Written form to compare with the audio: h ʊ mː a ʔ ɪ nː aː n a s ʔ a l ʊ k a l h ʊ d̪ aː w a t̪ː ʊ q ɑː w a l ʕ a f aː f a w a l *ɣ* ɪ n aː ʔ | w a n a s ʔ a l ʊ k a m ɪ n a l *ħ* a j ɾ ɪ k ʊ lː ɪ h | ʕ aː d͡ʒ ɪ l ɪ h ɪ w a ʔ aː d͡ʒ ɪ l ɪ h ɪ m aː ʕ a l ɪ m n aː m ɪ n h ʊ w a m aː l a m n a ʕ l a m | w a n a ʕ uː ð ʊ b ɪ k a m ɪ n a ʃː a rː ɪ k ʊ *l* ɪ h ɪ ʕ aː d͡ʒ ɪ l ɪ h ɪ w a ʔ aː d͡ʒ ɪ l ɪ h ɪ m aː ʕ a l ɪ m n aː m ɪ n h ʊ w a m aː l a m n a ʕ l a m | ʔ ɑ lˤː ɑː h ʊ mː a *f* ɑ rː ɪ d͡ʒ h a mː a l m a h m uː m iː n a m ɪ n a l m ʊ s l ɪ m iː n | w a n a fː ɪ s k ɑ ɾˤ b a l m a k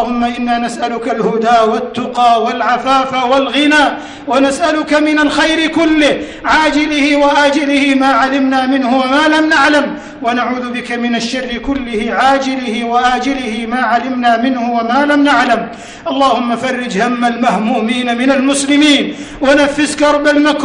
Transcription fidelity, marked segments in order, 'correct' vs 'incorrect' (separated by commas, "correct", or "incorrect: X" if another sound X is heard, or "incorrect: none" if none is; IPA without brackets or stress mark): correct, incorrect: x, incorrect: lː, correct